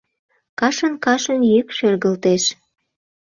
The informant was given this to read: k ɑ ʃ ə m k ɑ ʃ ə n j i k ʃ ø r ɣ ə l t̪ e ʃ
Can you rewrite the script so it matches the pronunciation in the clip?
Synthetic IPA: k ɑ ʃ ə n k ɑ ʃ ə n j y k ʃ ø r ɣ ə l t̪ e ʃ